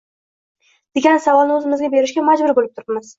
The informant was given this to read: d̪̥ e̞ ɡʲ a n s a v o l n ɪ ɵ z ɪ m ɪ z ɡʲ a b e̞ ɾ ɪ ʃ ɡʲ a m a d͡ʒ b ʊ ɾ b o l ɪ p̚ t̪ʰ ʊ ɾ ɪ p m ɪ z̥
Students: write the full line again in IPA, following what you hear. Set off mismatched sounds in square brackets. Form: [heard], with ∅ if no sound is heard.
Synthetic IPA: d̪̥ e̞ ɡʲ a n s a v [ɒ] l n ɪ ɵ z ɪ m ɪ z ɡʲ a b e̞ ɾ ɪ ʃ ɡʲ a m a d͡ʒ b ʊ ɾ b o l ɪ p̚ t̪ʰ ʊ ɾ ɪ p m ɪ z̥